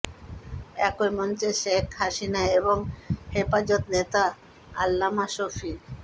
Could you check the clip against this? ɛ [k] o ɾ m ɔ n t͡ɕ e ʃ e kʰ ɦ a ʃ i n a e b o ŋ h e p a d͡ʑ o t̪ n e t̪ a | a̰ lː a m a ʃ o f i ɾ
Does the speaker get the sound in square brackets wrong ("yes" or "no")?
no